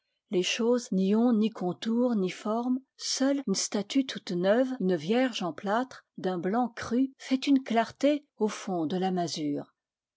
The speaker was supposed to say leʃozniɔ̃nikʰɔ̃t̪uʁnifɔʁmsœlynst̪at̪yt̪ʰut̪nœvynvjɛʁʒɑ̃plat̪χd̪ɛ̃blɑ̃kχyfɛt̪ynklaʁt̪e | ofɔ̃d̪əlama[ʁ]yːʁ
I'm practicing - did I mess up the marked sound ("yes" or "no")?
yes